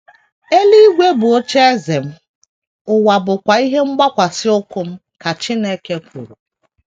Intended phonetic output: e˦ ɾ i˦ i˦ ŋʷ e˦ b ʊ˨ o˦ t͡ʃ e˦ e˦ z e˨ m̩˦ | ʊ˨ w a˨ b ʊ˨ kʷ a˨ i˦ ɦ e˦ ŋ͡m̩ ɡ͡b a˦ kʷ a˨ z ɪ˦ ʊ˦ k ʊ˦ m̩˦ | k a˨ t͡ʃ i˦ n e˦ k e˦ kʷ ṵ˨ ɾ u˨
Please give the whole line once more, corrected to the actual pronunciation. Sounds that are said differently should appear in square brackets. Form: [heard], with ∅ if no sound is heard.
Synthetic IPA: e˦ [l] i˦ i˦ [ɡʷ] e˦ b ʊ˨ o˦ t͡ʃ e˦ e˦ z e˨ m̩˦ | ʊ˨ w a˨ b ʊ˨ kʷ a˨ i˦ ɦ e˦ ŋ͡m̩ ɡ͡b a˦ kʷ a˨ [s] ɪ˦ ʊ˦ k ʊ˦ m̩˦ | k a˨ t͡ʃ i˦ n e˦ k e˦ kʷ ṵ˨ ɾ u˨